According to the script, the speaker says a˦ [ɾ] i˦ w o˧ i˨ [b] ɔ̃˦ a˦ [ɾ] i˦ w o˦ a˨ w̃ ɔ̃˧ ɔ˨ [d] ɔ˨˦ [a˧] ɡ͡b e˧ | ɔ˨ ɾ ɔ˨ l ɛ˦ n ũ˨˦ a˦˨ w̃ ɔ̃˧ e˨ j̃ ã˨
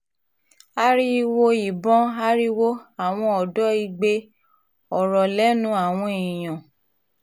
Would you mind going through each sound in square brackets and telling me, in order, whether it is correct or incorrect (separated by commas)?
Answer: correct, correct, correct, correct, incorrect